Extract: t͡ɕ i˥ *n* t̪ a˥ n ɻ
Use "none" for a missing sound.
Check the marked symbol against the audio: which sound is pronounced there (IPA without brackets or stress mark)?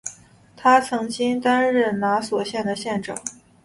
ŋ